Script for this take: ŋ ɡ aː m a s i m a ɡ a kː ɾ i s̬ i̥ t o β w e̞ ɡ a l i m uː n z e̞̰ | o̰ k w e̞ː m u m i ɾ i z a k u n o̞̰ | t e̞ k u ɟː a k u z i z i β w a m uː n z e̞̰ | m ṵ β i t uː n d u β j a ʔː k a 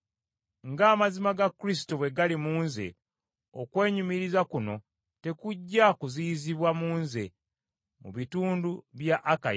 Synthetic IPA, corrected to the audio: ŋ ɡ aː m a z i m a ɡ a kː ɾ i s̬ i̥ t o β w e̞ ɡ a l i m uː n z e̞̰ | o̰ k w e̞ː ɲ u m i ɾ i z a k u n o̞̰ | t e̞ k u ɟː a k u z i z i β w a m uː n z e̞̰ | m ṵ β i t uː n d u β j a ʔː k a